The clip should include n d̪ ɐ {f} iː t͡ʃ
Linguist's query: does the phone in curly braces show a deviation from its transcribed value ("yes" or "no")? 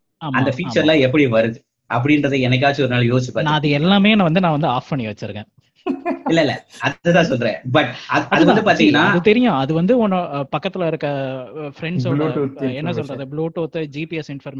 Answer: no